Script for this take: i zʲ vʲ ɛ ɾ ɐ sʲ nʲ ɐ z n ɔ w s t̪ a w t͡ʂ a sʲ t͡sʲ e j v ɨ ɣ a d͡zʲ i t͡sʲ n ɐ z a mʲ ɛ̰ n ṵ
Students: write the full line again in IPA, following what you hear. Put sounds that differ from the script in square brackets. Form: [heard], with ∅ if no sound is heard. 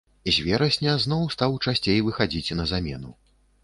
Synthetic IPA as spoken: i zʲ vʲ ɛ ɾ ɐ sʲ nʲ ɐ z n ɔ w s t̪ a w t͡ʂ a sʲ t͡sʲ e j v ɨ [x] a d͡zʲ i t͡sʲ n ɐ z a mʲ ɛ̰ n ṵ